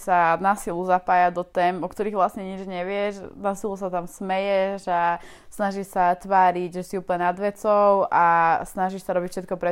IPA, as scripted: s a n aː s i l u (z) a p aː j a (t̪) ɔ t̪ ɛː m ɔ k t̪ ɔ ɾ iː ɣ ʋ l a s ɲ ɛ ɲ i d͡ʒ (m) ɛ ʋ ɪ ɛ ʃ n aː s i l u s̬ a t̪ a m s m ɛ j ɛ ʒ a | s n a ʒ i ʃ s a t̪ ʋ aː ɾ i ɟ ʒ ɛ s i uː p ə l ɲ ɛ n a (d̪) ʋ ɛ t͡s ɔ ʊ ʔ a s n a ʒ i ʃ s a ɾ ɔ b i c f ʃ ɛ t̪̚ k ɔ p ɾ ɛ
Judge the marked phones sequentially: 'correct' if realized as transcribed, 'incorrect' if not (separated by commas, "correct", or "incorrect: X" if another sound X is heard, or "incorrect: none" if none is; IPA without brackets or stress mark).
correct, incorrect: d̪, incorrect: ɲ, correct